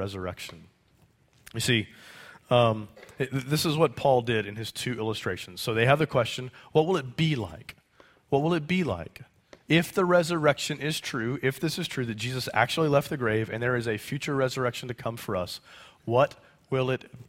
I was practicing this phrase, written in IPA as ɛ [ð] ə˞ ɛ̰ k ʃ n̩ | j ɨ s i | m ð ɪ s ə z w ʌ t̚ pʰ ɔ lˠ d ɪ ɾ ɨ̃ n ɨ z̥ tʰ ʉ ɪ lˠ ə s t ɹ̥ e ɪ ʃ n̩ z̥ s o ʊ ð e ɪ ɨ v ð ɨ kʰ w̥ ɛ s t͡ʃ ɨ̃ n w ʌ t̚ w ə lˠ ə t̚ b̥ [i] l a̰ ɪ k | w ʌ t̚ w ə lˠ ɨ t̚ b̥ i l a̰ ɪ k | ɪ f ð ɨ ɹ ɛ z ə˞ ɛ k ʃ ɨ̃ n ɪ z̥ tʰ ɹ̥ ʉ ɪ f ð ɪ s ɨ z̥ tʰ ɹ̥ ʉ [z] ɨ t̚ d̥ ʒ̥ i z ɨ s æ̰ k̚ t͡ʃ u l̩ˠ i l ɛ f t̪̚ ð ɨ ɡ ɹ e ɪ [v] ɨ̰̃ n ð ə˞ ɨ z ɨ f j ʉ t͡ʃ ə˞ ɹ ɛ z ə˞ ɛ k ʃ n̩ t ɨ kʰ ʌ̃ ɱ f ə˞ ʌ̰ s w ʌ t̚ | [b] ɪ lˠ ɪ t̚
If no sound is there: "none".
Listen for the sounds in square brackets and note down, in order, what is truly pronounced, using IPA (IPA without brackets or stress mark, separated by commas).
z, i, ð, v, w